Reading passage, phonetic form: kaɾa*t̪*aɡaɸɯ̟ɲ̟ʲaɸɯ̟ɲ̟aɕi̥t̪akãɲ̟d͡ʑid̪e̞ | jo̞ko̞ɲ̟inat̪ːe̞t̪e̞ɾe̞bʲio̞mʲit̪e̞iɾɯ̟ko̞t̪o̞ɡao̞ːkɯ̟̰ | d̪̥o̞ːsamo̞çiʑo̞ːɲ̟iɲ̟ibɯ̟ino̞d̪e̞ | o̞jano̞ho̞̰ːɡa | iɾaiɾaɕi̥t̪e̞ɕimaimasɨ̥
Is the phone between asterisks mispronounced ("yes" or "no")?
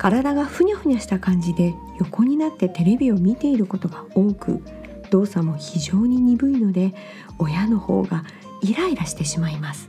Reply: yes